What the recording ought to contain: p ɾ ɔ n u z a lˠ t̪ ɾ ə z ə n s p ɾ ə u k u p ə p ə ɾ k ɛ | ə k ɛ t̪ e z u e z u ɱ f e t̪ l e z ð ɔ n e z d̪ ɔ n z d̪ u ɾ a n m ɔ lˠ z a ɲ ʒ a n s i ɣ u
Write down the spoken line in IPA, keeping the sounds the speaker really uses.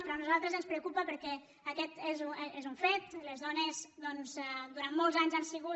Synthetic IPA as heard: p ɾ ɔ n u z a lˠ t̪ ɾ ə z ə n s p ɾ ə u k u p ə p ə ɾ k ɛ | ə k ɛ t̪ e z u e z u ɱ f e t̪ l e z ð ɔ n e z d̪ ɔ n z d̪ u ɾ a n m ɔ lˠ z a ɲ z a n s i ɣ u

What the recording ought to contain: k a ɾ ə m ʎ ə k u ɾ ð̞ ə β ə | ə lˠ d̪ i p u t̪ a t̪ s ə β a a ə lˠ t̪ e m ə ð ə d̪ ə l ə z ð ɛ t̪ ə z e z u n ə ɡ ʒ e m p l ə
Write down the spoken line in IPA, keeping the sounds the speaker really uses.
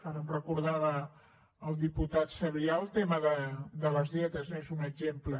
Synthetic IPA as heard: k a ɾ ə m r ə k u ɾ ð̞ a β ə | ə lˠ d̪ i p u t̪ a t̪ s ə β i a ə lˠ t̪ e m ə ð ə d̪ ə l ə z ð ɛ t̪ ə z e z u n ə ɡ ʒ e m p l ə

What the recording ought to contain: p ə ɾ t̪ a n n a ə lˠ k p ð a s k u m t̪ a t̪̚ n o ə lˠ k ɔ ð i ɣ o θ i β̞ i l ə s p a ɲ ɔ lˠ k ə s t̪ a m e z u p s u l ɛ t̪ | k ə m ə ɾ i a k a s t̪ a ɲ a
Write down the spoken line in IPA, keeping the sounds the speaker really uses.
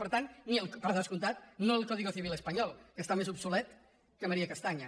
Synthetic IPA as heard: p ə ɾ t̪ a n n i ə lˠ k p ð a s k u n t̪ a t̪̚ n o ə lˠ k ɔ ð i ɣ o θ i β̞ i l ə s p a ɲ ɔ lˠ k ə s t̪ a m e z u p s u l ɛ t̪ | k ə m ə ɾ i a k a s t̪ a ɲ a

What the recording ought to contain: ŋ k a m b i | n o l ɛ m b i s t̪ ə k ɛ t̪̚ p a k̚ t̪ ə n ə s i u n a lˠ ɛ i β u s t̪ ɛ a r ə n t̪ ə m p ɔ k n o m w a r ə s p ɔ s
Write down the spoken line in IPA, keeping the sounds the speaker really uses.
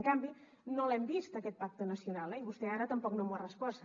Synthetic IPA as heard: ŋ k a m b i | n o l ɛ m b i s t̪ ə k ɛ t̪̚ p a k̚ t̪ ə n ə s i u n a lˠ ɛ i β u s t̪ ɛ a ɾ ə t̪ ə m p ɔ k n o m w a r ə s p ɔ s

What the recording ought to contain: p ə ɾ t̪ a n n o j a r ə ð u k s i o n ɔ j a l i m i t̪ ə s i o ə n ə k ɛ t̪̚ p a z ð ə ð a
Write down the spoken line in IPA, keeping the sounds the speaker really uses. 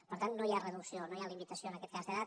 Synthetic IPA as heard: p ə ɾ t̪ a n n o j a r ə ð u k s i o n o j a l i m i t̪ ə s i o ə n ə k ɛ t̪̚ k a z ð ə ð a

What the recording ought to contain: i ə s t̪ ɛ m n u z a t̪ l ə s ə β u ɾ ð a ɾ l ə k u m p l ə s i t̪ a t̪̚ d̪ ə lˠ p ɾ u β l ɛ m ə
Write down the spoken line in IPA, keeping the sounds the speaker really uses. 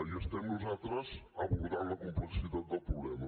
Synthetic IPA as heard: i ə s t̪ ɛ m n u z a t̪ ɾ ə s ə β u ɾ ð a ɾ l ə k u m p l ə s i t̪ a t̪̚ d̪ ə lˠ p ɾ u β l ɛ m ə

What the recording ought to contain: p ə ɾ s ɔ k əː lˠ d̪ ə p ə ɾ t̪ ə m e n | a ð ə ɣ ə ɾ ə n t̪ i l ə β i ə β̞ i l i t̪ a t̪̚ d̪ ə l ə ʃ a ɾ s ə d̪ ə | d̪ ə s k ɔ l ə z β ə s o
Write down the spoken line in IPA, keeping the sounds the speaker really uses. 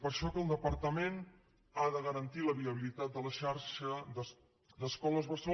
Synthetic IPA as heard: p ə ɾ ʃ ɔ k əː lˠ d̪ ə p ə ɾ t̪ ə m e n | a ð ə ɣ ə ɾ ə n t̪ i l ə β i ə β̞ i l i t̪ a t̪̚ d̪ ə l ə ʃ a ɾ ʃ ə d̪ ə | d̪ ə s k ɔ l ə z β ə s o

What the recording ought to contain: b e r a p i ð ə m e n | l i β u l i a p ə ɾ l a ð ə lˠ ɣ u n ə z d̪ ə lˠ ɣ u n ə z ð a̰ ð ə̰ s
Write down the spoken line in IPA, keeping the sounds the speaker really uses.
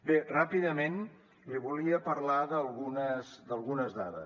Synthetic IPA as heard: b e r a p i ð ə m e n | l i β u l i ə p ə ɾ l a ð ə lˠ ɣ u n ə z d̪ ə lˠ ɣ u n ə z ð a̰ ð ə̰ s

